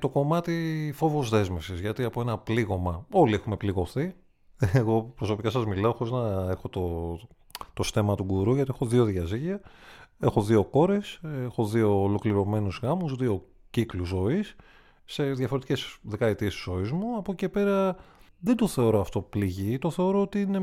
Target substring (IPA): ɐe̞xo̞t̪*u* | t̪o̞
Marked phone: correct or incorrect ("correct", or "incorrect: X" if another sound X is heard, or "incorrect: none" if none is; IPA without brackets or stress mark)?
incorrect: o